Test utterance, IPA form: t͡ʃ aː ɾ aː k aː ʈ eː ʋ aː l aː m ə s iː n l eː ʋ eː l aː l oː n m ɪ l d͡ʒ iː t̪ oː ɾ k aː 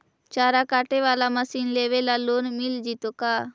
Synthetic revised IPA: t͡ʃ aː ɾ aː k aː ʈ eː ʋ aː l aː m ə s iː n l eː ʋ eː l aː l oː n m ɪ l d͡ʒ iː t̪ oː k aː

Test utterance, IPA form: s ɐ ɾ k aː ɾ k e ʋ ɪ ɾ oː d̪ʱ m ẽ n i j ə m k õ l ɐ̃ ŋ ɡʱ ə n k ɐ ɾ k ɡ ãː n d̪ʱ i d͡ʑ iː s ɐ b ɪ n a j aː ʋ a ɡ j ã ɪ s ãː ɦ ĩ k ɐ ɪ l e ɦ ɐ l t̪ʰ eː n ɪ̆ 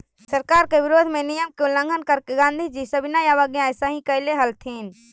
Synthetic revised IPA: s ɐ ɾ k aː ɾ k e ʋ ɪ ɾ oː d̪ʱ m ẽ n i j ə m k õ l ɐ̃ ŋ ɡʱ ə n k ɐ ɾ k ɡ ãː n d̪ʱ i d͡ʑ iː s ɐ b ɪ n a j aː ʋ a ɡ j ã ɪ s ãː ɦ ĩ k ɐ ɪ l e ɦ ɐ l t̪ʰ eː n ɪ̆

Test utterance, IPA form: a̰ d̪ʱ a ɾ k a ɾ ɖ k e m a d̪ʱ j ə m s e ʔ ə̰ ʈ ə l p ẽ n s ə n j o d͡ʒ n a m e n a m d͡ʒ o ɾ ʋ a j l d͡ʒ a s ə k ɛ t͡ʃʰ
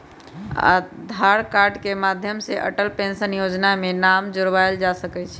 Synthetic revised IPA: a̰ d̪ʱ a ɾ k a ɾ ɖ k e m a d̪ʱ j ə m s e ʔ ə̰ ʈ ə l p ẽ n s ə n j o d͡ʒ n a m e n a m d͡ʒ o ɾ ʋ a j l d͡ʒ a s ə k ɛ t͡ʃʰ

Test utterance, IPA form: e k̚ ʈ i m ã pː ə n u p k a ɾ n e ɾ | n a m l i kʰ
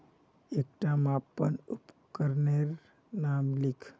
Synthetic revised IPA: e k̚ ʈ a m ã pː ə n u p k ə ɾ n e ɾ | n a m l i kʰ

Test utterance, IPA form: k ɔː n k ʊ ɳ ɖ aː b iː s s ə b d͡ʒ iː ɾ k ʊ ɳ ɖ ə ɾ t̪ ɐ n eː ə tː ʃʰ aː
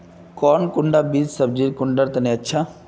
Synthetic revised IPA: k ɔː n k ʊ ɳ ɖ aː b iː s s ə b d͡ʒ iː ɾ k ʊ ɳ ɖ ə ɾ t̪ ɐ n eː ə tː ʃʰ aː

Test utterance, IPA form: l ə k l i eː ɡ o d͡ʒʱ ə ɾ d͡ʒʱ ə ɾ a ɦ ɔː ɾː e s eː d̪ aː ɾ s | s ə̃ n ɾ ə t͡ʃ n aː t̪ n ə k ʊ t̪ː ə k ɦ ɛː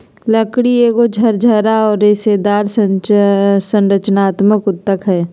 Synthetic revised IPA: l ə k ɽ i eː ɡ o d͡ʒʱ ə ɾ d͡ʒʱ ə ɾ a ɔː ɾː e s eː d̪ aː ɾ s | s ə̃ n ɾ ə t͡ʃ n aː t̪ m ə k ʊ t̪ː ə k ɦ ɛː

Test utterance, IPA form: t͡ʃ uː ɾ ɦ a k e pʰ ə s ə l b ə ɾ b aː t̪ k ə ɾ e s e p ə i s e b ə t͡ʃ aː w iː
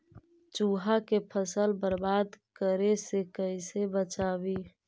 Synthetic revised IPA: t͡ʃ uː ɦ a k e pʰ ə s ə l b ə ɾ b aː d̪ k ə ɾ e s e k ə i s e b ə t͡ʃ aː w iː

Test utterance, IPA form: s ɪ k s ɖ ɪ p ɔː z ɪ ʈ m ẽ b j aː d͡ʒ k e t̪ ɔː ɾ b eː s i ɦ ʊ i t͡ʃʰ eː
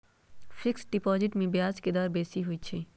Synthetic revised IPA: f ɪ k s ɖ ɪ p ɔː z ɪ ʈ m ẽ b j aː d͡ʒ k e d̪ ɔː ɾ b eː s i ɦ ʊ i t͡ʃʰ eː

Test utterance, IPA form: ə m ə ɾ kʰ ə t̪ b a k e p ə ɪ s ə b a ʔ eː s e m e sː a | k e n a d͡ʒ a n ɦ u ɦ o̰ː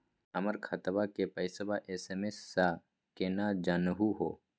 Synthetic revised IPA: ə m ə ɾ kʰ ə t̪ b a k e p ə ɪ s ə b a ʔ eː s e m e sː a | k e n a d͡ʒ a n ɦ u ɦ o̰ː

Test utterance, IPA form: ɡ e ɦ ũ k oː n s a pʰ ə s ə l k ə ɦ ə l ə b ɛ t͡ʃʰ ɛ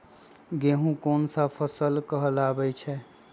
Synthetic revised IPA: ɡ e ɦ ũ k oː n s a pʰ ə s ə l k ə ɦ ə l a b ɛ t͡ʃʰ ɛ

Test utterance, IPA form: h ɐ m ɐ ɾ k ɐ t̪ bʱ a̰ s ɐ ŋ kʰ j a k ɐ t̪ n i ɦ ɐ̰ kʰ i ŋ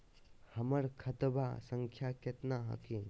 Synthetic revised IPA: h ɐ m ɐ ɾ kʰ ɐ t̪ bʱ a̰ s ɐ ŋ kʰ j a k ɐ t̪ n a ɦ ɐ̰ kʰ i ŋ

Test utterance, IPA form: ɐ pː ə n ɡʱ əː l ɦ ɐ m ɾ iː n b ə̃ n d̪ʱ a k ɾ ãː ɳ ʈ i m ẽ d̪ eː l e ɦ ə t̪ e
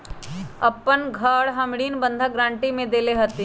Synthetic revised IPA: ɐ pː ə n ɡʱ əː ɽ ɦ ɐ m ɽ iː n b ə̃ n d̪ʱ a ɡ ɾ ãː ɳ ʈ i m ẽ d̪ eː l e ɦ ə t̪ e

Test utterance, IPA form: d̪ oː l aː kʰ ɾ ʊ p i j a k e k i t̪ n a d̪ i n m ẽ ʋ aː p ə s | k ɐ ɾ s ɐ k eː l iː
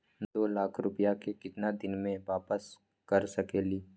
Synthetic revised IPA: d̪ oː l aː kʰ ɾ ʊ p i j a k e k ɪ t̪ n a d̪ ɪ n m ẽ ʋ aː p ə s | k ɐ ɾ s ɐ k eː l iː

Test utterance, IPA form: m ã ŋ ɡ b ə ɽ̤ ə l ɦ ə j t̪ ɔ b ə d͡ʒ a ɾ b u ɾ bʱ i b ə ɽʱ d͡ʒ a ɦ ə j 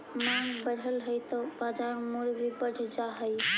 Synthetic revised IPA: m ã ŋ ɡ b ə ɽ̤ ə l ɦ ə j t̪ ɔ b a d͡ʒ a ɾ m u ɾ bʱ i b ə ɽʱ d͡ʒ a ɦ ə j

